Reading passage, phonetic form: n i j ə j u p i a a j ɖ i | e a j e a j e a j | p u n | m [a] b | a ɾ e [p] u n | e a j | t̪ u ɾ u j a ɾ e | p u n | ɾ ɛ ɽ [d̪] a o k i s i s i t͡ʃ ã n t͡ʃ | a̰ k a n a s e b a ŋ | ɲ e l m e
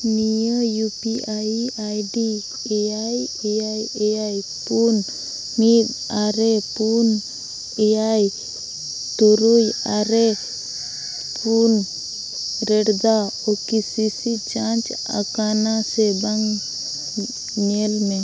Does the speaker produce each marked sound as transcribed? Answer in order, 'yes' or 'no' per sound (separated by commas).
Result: no, yes, yes